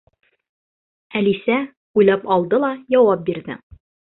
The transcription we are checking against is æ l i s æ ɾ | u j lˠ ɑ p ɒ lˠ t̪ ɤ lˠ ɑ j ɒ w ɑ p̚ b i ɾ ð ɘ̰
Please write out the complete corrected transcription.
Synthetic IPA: æ l i s æ | u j lˠ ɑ p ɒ lˠ d̪ ɤ lˠ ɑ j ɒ w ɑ p̚ b i ɾ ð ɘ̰